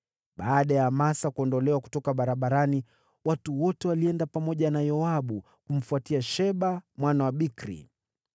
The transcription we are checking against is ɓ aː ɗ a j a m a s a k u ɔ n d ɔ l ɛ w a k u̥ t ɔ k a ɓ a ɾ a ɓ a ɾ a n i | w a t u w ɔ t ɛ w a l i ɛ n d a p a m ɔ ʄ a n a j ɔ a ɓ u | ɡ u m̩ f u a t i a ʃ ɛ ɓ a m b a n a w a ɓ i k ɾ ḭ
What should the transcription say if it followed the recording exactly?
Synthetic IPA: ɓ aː ɗ a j a m a s a k u ɔ n d ɔ l ɛ w a k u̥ t ɔ k a ɓ a ɾ a ɓ a ɾ a n i | w a t u w ɔ t ɛ w a l i ɛ n d a p a m ɔ ʄ a n a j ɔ a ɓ u | k u m̩ f u a t i a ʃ ɛ ɓ a m w a n a w a ɓ i k ɾ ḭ